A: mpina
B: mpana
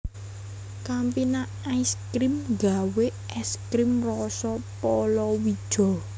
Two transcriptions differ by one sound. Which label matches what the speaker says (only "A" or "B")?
A